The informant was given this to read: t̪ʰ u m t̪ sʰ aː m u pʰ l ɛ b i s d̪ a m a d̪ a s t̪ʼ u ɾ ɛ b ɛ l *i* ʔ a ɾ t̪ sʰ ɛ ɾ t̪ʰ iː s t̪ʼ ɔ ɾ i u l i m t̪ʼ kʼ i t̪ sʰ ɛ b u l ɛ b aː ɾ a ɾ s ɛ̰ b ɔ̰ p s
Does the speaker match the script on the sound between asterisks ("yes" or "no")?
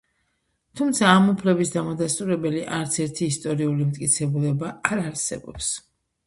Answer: yes